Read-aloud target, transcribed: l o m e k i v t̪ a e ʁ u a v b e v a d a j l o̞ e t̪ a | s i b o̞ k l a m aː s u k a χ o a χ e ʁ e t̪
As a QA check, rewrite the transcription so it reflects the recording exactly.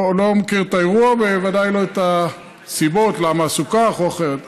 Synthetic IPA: l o m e k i ʁ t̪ a e ʁ u a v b e v a d a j l o̞ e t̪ a | s i b o̞ t l a m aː s u k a χ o a χ e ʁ e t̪